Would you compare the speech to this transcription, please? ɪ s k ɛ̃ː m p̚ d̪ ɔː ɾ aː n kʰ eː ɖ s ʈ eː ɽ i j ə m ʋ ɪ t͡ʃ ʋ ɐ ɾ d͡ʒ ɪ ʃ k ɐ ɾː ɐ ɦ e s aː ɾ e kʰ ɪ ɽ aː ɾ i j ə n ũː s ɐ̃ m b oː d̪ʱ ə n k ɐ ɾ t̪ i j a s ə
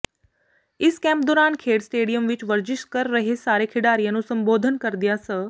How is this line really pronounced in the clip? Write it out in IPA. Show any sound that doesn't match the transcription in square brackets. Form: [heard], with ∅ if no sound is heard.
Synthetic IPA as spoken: ɪ s k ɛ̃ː m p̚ d̪ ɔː ɾ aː n kʰ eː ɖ s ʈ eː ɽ i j ə m ʋ ɪ t͡ʃ ʋ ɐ ɾ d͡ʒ ɪ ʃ k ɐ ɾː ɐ ɦ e s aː ɾ e kʰ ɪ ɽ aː ɾ i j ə n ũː s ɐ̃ m b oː d̪ʱ ə n k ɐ ɾ [d̪] i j a s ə